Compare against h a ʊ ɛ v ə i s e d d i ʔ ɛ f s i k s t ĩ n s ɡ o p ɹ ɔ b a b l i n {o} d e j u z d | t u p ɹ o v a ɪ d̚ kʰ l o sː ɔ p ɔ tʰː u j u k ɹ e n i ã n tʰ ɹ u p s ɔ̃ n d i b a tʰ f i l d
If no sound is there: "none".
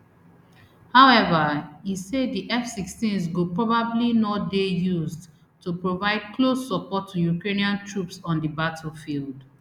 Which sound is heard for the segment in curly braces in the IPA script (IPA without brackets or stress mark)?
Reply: ɔ